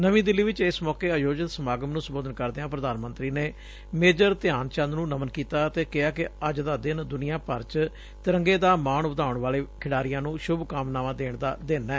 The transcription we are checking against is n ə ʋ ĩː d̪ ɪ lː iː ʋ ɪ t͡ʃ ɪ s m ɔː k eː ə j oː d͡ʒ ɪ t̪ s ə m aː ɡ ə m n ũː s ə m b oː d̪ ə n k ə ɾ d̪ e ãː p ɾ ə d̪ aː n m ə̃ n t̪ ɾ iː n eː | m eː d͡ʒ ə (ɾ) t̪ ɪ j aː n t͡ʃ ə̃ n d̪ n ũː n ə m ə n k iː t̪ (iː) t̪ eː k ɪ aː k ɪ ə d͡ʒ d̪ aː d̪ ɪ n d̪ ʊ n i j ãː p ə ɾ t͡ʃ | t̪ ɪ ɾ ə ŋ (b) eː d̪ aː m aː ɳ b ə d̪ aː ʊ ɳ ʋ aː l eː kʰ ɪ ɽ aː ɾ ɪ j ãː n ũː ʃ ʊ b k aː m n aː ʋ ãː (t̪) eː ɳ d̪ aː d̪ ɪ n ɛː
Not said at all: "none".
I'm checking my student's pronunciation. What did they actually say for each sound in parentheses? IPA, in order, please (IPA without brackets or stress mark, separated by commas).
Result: ɾ, aː, ɡ, d̪